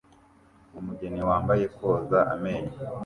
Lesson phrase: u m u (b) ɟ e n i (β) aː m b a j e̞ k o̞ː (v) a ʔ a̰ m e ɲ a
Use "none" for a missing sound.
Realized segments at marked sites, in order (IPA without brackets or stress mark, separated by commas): none, w, z